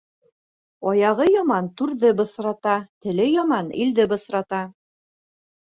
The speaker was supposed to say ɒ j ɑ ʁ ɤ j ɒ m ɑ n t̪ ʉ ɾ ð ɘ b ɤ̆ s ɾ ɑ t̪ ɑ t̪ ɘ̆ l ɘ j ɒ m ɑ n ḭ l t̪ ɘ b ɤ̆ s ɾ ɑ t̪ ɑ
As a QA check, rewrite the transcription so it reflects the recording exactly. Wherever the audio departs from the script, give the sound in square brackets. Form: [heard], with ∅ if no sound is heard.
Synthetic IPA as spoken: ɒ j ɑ ʁ ɤ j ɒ m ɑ n t̪ ʉ ɾ ð ɘ b ɤ̆ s ɾ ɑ t̪ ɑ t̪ ɘ̆ l ɘ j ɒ m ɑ n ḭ l [d̪] ɘ b ɤ̆ s ɾ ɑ t̪ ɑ

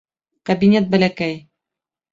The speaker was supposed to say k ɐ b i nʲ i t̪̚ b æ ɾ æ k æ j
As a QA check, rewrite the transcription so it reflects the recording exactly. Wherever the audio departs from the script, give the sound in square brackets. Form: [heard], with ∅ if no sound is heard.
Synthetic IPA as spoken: k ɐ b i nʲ [e] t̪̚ b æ [l] æ k æ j

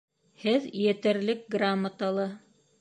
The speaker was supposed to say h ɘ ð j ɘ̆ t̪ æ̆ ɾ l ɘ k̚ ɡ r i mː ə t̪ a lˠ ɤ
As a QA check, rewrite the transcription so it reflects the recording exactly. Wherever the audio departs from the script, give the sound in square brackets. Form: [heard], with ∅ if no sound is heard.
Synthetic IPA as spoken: h ɘ ð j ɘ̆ t̪ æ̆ ɾ l ɘ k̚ ɡ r [a] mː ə t̪ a lˠ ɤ

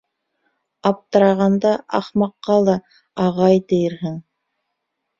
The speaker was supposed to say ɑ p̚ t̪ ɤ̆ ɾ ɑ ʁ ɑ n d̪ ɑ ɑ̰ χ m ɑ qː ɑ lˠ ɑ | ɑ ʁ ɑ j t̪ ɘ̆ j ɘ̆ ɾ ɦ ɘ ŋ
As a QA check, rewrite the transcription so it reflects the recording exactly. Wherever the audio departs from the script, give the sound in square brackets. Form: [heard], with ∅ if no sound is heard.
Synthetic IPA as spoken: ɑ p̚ t̪ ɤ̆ ɾ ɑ ʁ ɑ n d̪ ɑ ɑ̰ χ m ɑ qː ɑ lˠ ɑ | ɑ ʁ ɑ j t̪ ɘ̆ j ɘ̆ ɾ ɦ ɘ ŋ

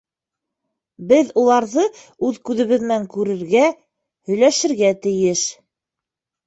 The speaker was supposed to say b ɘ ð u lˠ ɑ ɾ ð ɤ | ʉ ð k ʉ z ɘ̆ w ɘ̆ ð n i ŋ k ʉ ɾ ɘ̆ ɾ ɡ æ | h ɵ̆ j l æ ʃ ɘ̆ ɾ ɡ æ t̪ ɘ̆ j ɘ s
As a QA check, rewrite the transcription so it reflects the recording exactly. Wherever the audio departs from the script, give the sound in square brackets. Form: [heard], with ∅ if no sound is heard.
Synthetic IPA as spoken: b ɘ ð u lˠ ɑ ɾ ð ɤ | ʉ ð k ʉ [ð] ɘ̆ [β] ɘ̆ ð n [æ] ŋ k ʉ ɾ ɘ̆ ɾ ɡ æ | h ɵ̆ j l æ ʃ ɘ̆ ɾ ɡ æ t̪ ɘ̆ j ɘ [ʃ]

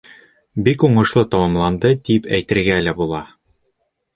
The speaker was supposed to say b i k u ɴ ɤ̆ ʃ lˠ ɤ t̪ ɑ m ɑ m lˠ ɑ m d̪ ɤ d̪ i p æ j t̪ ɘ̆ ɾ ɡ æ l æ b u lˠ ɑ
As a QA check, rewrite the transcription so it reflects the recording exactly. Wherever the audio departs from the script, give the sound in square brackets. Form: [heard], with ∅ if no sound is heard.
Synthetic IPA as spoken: b i k u ɴ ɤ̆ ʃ lˠ ɤ t̪ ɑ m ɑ m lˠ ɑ [n] d̪ ɤ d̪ i p æ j t̪ ɘ̆ ɾ ɡ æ l æ b u lˠ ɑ

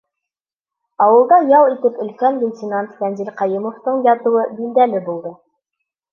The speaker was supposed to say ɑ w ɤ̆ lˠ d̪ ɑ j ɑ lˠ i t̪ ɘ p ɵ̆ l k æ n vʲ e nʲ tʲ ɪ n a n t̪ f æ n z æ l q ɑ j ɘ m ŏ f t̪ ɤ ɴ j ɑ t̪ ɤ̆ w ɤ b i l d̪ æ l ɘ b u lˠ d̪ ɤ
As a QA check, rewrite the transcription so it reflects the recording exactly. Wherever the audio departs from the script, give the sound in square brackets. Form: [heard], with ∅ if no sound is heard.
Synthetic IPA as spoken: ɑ w ɤ̆ lˠ d̪ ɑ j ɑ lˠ i t̪ ɘ p ɵ̆ l k æ n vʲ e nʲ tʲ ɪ n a n t̪ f æ n z [i] l q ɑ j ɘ m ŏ f t̪ ɤ ɴ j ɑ t̪ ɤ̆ w ɤ b i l d̪ æ l ɘ b u lˠ d̪ ɤ

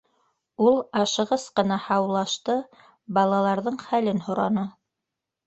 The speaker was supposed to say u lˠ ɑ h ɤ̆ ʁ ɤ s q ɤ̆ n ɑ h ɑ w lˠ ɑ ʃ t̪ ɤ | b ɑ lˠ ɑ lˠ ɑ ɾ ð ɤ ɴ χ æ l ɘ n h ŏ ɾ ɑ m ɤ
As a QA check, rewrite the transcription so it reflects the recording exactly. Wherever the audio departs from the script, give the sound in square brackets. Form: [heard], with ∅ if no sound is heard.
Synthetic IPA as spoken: u lˠ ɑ [ʃ] ɤ̆ ʁ ɤ s q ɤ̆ n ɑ h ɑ w lˠ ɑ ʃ t̪ ɤ | b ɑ lˠ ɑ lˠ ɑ ɾ ð ɤ ɴ χ æ l ɘ n h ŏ ɾ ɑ [n] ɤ

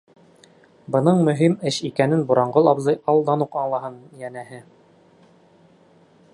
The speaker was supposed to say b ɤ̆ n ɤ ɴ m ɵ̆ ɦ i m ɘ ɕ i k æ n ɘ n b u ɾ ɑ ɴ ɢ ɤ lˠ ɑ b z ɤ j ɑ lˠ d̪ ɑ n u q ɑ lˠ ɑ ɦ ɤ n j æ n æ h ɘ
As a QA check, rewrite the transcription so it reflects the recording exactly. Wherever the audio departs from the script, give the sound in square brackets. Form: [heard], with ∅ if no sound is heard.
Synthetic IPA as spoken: b ɤ̆ n ɤ ɴ m ɵ̆ ɦ i m ɘ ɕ i k æ n ɘ n b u ɾ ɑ ɴ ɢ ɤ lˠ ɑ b z ɤ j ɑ lˠ d̪ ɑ n u q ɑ lˠ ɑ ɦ ɤ n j æ n æ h ɘ

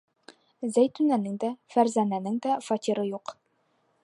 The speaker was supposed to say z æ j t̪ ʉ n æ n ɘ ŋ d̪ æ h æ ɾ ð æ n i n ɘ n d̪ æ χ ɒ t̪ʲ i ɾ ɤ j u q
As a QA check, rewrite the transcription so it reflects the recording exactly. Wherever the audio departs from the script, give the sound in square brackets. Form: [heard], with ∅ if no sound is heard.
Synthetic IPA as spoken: z æ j t̪ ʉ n æ n ɘ ŋ d̪ æ [f] æ ɾ [z] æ n [æ] n ɘ [ŋ] d̪ æ [f] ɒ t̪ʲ i ɾ ɤ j u q

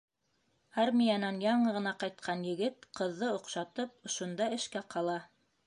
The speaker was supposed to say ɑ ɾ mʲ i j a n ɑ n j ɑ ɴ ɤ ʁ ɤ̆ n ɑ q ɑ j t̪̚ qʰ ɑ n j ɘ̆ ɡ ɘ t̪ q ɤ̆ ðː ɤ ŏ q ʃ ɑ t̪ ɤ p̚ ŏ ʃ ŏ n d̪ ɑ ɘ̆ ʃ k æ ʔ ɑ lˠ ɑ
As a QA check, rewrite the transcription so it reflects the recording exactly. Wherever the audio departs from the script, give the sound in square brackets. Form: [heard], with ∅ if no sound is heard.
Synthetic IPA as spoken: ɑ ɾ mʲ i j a n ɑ n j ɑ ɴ ɤ ʁ ɤ̆ n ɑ q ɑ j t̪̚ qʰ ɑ n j ɘ̆ ɡ ɘ t̪ q ɤ̆ ðː ɤ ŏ q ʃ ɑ t̪ ɤ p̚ ŏ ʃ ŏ n d̪ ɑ ɘ̆ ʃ k æ [q] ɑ lˠ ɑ

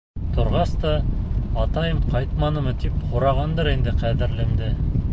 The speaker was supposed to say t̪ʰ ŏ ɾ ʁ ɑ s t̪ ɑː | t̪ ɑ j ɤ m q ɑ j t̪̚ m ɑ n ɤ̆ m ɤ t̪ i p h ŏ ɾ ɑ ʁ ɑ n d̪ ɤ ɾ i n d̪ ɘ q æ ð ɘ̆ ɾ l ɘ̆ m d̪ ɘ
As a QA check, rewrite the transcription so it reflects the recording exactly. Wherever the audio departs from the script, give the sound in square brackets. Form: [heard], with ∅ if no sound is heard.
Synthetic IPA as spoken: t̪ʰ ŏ ɾ ʁ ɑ s t̪ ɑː | t̪ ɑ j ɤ m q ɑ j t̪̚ m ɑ n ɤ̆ m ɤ t̪ i p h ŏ ɾ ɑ ʁ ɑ n d̪ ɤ ɾ i n d̪ ɘ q æ ð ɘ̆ ɾ l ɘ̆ m d̪ ɘ

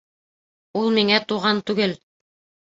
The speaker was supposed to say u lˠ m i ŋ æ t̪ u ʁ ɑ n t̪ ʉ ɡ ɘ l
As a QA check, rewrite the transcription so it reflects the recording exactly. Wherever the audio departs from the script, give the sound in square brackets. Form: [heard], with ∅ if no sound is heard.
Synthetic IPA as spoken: u lˠ m i ŋ æ t̪ u ʁ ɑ n t̪ ʉ ɡ ɘ l

